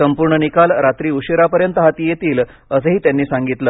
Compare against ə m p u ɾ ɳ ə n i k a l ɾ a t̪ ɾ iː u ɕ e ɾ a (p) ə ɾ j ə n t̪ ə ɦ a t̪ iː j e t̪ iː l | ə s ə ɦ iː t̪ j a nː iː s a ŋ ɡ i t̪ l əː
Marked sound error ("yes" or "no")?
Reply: no